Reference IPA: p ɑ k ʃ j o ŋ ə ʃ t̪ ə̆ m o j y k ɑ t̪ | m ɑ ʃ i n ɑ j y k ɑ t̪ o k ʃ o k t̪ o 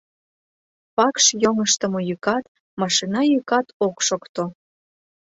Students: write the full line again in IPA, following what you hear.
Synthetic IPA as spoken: p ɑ k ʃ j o ŋ ə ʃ t̪ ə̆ m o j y k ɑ t̪ | m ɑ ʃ i n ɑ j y k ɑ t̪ o k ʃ o k t̪ o